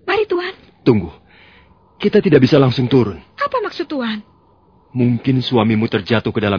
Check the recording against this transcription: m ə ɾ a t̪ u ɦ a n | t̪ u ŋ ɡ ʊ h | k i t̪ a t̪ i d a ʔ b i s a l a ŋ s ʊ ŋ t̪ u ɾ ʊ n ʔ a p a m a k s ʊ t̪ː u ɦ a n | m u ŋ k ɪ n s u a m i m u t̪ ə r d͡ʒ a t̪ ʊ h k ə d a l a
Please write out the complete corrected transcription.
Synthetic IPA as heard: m a ɾ i t̪ u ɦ a n | t̪ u ŋ ɡ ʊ h | k i t̪ a t̪ i d a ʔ b i s a l a ŋ s ʊ ŋ t̪ u ɾ ʊ n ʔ a p a m a k s ʊ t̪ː u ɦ a n | m u ŋ k ɪ n s u a m i m u t̪ ə r d͡ʒ a t̪ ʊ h k ə d a l a